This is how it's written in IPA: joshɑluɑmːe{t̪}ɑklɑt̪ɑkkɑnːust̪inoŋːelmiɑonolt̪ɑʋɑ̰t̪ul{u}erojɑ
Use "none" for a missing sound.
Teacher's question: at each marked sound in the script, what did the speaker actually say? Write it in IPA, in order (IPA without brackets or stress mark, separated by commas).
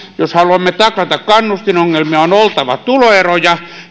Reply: t̪, o